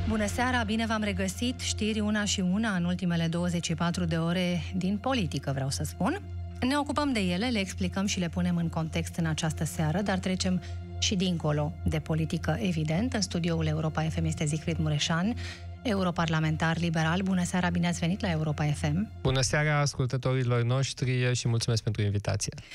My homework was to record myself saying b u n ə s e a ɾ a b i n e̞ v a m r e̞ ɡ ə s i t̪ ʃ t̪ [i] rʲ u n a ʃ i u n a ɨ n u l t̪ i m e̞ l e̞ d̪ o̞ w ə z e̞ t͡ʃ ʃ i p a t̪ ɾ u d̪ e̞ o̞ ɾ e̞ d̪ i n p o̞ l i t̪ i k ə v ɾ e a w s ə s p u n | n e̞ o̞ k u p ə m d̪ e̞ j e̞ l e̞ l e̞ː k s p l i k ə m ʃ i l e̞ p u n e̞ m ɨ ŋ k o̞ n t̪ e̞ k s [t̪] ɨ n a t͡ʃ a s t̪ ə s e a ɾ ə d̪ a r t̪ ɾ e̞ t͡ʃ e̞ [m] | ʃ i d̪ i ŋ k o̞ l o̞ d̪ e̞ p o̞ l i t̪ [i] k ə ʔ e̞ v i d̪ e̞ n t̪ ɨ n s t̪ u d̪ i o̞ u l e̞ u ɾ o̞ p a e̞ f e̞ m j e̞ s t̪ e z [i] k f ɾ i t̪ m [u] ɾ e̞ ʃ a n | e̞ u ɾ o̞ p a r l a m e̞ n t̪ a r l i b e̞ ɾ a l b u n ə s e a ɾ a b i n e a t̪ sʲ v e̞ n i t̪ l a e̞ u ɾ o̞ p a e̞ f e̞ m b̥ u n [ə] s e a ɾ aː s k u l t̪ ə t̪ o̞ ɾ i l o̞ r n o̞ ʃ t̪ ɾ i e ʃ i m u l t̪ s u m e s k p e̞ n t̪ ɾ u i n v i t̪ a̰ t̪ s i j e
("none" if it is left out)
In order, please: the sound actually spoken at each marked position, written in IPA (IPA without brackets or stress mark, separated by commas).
i, t̪, m, i, i, u, ə